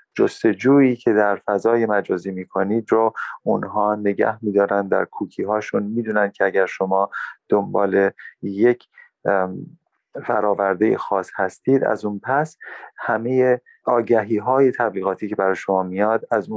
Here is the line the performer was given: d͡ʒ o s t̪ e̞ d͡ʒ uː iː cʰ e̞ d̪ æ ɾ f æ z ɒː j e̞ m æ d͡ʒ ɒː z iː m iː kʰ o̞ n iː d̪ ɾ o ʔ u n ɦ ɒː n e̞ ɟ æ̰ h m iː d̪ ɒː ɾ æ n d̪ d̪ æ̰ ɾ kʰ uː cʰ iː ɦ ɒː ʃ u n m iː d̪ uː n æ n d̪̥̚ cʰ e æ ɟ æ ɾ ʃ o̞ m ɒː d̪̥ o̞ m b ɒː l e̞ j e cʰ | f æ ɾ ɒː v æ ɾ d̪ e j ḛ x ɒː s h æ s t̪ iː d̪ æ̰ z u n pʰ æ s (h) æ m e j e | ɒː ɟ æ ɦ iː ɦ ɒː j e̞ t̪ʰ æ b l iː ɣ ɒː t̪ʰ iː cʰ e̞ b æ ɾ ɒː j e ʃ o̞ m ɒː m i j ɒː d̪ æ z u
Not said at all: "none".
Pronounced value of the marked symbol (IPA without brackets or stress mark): h